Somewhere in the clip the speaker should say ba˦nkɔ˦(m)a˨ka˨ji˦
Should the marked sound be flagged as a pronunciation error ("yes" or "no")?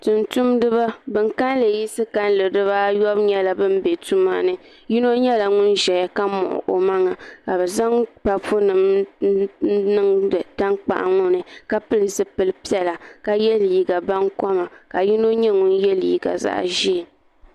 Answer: no